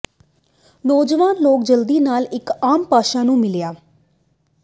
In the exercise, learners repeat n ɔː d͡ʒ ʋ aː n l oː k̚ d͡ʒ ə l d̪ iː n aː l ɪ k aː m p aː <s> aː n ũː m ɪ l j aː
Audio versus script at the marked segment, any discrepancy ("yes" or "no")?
yes